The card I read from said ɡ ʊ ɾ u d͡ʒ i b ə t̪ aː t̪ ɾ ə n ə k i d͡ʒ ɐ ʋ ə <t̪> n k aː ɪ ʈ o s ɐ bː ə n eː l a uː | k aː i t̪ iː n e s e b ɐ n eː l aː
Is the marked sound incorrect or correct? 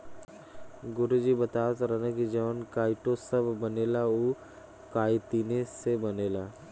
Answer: incorrect: none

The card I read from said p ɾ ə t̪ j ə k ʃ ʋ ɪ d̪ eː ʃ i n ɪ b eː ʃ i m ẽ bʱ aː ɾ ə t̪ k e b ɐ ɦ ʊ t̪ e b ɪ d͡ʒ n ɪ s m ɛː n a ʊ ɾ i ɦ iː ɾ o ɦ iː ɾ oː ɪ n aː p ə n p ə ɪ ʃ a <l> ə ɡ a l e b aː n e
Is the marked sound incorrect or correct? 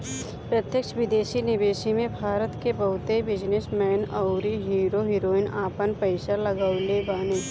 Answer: correct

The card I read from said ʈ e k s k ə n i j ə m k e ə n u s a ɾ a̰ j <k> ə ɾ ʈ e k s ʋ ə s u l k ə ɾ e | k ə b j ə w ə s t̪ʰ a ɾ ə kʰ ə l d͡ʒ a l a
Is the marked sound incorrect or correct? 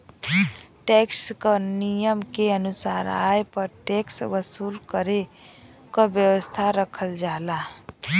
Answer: incorrect: p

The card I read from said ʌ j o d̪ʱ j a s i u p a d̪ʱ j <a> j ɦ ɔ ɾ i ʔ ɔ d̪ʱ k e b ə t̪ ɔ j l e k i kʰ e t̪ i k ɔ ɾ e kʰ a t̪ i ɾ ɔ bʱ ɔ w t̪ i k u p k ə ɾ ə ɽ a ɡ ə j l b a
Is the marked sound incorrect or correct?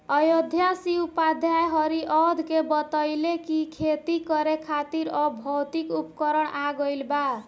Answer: correct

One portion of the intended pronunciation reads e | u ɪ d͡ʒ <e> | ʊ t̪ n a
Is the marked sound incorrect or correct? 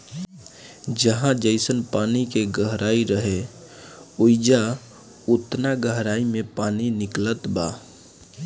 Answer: incorrect: a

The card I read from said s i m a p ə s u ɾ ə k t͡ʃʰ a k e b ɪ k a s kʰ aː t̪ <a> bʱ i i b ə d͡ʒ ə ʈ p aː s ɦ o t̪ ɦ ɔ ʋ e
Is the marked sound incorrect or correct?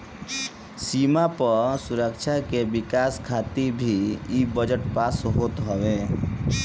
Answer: incorrect: i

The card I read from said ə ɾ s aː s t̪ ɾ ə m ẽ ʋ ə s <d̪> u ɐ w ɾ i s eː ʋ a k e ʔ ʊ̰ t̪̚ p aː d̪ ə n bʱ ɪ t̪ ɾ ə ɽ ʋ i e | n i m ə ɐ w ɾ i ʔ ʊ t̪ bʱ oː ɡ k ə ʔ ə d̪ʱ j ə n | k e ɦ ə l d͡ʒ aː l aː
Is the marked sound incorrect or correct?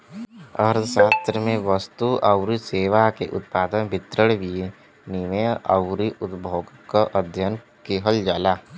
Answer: incorrect: t̪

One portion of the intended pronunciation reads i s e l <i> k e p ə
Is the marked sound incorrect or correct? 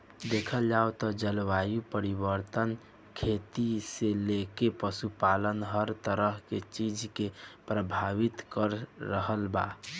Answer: incorrect: e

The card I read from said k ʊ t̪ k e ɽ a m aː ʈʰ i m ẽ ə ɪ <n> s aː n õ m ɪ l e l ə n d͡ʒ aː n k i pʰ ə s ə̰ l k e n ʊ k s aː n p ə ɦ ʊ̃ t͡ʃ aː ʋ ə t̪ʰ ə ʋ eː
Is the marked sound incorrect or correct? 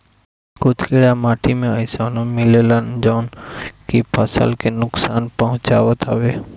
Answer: incorrect: none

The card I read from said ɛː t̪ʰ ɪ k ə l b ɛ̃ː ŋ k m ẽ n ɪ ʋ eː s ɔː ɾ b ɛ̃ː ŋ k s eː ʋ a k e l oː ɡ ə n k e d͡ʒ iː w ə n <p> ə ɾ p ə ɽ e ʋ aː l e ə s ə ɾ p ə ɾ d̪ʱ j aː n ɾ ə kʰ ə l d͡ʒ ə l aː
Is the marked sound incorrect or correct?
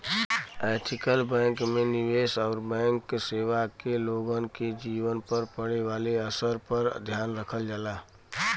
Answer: correct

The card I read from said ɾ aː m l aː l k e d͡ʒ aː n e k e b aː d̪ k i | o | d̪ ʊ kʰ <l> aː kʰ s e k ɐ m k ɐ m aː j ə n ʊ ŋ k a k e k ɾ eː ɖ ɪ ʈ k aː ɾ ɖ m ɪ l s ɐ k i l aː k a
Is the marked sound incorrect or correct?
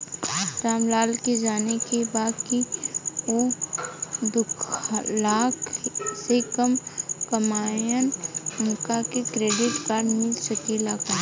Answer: correct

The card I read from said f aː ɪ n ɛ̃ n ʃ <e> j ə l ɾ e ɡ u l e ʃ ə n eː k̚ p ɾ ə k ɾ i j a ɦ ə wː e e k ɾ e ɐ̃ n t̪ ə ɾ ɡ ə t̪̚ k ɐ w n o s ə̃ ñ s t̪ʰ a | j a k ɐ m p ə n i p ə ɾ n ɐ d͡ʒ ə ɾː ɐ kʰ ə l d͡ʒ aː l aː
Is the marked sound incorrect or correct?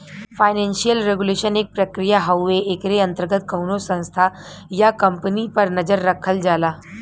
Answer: incorrect: i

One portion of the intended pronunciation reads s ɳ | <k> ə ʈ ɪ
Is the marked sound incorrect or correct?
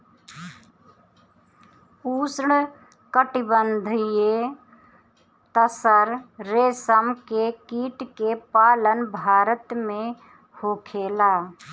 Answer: correct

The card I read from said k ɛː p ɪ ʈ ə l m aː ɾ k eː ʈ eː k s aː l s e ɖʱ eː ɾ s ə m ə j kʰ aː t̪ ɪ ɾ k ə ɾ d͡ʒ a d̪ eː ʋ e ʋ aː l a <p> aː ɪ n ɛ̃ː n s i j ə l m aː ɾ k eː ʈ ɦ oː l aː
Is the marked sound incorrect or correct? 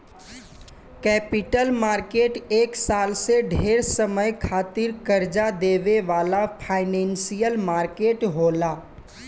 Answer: incorrect: pʰ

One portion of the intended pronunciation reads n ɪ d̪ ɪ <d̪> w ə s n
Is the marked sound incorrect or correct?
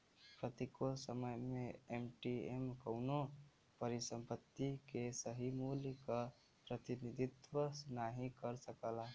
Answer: incorrect: t̪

